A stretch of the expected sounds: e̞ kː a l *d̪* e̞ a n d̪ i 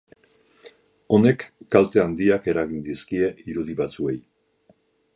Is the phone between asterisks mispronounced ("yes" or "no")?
yes